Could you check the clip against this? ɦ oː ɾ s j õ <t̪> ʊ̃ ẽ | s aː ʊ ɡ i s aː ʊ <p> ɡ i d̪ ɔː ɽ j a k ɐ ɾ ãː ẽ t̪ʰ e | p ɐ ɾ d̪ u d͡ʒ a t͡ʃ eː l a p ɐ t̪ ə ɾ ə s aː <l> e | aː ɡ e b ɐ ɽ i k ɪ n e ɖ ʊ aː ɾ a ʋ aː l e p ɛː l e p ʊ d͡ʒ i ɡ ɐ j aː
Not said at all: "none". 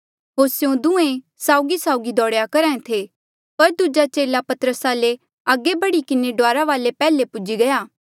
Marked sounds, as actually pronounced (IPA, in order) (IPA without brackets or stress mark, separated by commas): d̪, none, l